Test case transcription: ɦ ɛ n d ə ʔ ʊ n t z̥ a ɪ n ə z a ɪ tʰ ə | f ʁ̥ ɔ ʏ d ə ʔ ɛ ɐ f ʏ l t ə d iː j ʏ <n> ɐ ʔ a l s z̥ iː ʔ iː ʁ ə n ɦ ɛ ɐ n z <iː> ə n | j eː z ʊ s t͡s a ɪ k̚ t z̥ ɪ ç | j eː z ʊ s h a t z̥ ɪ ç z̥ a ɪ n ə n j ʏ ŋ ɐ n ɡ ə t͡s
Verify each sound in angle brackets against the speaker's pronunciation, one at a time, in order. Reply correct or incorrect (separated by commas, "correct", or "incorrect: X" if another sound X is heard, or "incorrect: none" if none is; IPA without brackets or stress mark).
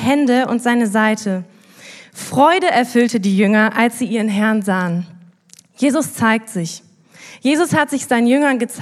incorrect: ŋ, incorrect: aː